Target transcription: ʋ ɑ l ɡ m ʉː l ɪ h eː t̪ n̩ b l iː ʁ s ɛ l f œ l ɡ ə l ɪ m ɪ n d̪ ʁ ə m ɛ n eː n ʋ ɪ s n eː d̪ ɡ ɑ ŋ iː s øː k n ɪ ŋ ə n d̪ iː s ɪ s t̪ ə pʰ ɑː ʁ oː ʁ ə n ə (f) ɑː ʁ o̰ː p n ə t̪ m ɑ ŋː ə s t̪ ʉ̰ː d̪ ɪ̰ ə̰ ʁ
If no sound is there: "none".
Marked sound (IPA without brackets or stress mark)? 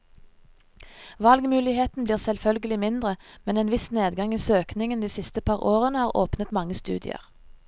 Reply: h